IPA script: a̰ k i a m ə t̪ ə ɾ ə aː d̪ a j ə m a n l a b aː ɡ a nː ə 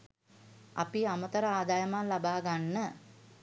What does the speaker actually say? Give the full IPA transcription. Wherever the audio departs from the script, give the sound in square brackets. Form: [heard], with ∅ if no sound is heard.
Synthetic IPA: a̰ [p] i a m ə t̪ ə ɾ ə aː d̪ a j ə m a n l a b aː ɡ a nː ə